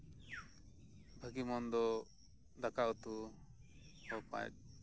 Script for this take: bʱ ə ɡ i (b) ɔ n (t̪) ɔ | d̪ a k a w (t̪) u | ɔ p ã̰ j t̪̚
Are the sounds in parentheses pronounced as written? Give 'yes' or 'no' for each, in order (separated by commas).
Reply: no, no, yes